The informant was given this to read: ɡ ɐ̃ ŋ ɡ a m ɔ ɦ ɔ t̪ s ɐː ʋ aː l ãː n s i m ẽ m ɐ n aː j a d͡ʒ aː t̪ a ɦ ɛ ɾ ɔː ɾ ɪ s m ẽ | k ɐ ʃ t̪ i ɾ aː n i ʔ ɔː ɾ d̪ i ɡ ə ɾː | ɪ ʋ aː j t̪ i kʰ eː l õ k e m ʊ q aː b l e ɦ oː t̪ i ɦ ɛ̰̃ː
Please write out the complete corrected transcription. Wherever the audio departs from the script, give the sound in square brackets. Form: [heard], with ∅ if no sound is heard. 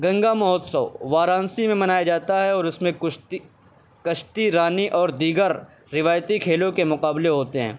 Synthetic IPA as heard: ɡ ɐ̃ ŋ ɡ a m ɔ ɦ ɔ t̪ s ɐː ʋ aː [ɾ] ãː n s i m ẽ m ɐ n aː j a d͡ʒ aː t̪ a ɦ ɛ [∅] ɔː ɾ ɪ s m ẽ | k ɐ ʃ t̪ i ɾ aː n i ʔ ɔː ɾ d̪ [iː] ɡ ə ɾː | ɪ ʋ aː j t̪ i kʰ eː l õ k e m ʊ q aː b l e ɦ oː t̪ [e] ɦ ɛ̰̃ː

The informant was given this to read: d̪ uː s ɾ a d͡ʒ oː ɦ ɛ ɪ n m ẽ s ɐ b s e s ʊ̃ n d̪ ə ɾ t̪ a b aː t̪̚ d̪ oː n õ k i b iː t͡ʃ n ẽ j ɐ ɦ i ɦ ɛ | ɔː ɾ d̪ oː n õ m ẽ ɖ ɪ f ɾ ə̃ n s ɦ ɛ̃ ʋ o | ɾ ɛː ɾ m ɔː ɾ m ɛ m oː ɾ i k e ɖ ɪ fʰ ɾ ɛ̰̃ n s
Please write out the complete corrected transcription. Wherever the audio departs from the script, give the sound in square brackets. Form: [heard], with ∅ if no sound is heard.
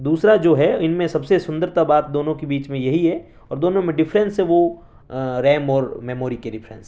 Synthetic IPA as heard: d̪ uː s ɾ a d͡ʒ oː ɦ ɛ ɪ n m ẽ s ɐ b s e s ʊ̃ n d̪ ə ɾ t̪ a b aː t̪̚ d̪ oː n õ k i b iː t͡ʃ [m] ẽ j ɐ ɦ i ɦ ɛ | ɔː ɾ d̪ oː n õ m ẽ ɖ ɪ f ɾ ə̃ n s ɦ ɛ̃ ʋ o | ɾ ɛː [∅] m ɔː ɾ m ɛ m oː ɾ i k e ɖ ɪ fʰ ɾ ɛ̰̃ n s

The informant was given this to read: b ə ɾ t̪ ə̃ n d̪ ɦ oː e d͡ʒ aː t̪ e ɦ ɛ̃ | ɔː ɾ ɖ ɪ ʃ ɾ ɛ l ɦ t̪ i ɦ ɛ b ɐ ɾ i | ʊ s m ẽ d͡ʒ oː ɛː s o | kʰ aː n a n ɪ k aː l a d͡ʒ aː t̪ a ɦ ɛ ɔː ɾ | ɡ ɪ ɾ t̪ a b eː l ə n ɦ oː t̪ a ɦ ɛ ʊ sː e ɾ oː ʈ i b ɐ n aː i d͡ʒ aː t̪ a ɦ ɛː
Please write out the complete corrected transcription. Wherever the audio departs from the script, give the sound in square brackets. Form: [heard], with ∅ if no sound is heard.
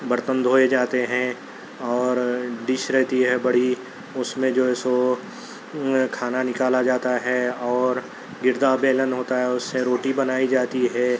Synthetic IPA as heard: b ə ɾ t̪ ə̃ n d̪ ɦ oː e d͡ʒ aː t̪ e ɦ ɛ̃ | ɔː ɾ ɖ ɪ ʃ ɾ ɛ [∅] ɦ t̪ i ɦ ɛ b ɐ [ɽ] i | ʊ s m ẽ d͡ʒ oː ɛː s o | kʰ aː n a n ɪ k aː l a d͡ʒ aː t̪ a ɦ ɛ ɔː ɾ | ɡ ɪ ɾ [d̪] a b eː l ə n ɦ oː t̪ a ɦ ɛ ʊ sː e ɾ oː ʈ i b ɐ n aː i d͡ʒ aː t̪ [i] ɦ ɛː

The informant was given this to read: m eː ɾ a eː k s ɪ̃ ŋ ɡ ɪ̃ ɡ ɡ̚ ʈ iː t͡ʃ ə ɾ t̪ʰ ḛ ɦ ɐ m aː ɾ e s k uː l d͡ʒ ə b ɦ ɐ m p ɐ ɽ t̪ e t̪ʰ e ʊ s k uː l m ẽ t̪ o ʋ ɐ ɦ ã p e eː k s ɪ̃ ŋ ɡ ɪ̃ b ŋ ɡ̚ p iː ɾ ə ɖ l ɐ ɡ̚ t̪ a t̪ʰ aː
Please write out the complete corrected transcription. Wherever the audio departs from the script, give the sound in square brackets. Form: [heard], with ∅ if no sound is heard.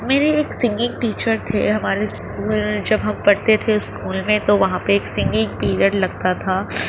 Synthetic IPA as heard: m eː ɾ [e] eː k s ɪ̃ ŋ ɡ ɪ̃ [ŋ] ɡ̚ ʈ iː t͡ʃ ə ɾ t̪ʰ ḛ ɦ ɐ m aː ɾ e s k uː l d͡ʒ [ɐ] b ɦ ɐ m p ɐ ɽ t̪ e t̪ʰ e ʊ s k uː l m ẽ t̪ o ʋ ɐ ɦ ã p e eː k s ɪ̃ ŋ ɡ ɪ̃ [∅] ŋ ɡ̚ p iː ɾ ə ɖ l ɐ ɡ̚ t̪ a t̪ʰ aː

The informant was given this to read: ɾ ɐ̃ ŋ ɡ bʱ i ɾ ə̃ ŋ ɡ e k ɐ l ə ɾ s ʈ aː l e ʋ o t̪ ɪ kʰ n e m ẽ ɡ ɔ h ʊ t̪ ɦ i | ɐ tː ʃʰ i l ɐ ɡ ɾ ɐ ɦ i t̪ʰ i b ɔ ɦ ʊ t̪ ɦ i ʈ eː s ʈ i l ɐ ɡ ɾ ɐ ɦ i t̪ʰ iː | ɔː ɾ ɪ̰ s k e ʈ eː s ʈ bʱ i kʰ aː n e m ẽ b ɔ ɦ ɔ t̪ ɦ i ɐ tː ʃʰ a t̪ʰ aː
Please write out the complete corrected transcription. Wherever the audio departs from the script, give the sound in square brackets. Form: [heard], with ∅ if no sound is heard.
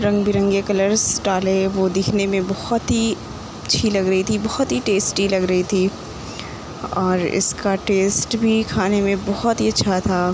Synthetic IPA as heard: ɾ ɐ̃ ŋ ɡ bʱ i ɾ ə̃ ŋ ɡ e k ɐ l ə ɾ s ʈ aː l e ʋ o [d̪] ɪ kʰ n e m ẽ [b] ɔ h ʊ t̪ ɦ i | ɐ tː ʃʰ i l ɐ ɡ ɾ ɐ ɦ i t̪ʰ i b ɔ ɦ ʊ t̪ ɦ i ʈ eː s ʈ i l ɐ ɡ ɾ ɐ ɦ i t̪ʰ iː | ɔː ɾ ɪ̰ s k [a] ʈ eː s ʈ bʱ i kʰ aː n e m ẽ b ɔ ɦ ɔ t̪ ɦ i ɐ tː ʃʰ a t̪ʰ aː

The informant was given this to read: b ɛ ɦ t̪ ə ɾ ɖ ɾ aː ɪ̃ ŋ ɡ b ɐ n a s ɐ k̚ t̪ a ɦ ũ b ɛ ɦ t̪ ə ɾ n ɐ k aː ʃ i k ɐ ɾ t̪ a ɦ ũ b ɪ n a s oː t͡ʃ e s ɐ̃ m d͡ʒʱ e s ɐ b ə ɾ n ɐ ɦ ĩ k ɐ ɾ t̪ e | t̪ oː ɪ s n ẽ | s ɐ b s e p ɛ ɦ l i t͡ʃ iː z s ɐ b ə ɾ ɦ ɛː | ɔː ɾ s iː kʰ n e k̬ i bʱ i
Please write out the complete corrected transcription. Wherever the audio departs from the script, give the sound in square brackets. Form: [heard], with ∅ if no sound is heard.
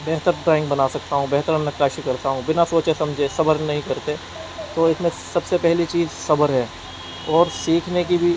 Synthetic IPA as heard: b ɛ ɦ t̪ ə ɾ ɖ ɾ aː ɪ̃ ŋ ɡ b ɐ n a s ɐ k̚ t̪ a ɦ ũ b ɛ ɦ t̪ ə ɾ n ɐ k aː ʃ i k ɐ ɾ t̪ a ɦ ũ b ɪ n a s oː t͡ʃ e s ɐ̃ m d͡ʒʱ e s ɐ b ə ɾ n ɐ ɦ ĩ k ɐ ɾ t̪ e | t̪ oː ɪ s [m] ẽ | s ɐ b s e p ɛ ɦ l i t͡ʃ iː z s ɐ b ə ɾ ɦ ɛː | ɔː ɾ s iː kʰ n e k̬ i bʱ i

